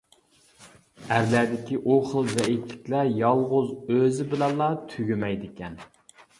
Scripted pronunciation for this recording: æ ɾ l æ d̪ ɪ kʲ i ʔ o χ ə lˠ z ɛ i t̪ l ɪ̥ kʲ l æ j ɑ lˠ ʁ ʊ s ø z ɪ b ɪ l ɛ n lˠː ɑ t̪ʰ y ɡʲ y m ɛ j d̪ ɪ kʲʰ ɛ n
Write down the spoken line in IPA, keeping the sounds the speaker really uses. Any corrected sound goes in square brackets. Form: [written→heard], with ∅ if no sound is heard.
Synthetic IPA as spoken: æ ɾ l æ d̪ ɪ kʲ i ʔ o χ ə lˠ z ɛ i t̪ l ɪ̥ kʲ l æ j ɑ lˠ ʁ ʊ [s→z] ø z ɪ b ɪ l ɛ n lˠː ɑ t̪ʰ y ɡʲ y m ɛ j d̪ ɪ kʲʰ ɛ n